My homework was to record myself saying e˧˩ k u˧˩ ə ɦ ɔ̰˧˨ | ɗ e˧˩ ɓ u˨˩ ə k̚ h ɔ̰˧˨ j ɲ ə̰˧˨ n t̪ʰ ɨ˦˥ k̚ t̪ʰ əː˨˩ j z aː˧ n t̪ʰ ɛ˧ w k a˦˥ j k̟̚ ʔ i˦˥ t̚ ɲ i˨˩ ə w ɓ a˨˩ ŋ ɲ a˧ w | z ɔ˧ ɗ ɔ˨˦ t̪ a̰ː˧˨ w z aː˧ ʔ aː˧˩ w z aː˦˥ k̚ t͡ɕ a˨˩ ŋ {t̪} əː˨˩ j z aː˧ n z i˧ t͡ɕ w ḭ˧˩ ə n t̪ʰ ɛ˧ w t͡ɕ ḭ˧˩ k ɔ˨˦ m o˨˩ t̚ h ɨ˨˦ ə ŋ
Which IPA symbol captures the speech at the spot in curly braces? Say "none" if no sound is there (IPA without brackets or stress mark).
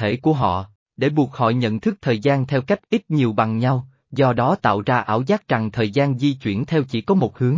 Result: t̪ʰ